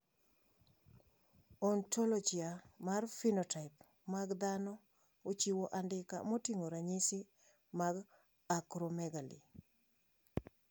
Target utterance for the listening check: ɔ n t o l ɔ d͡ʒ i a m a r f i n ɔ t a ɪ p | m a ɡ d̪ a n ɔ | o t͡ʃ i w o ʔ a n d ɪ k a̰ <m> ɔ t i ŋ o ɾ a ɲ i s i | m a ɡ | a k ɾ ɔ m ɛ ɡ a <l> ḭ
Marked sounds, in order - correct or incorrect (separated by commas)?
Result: correct, correct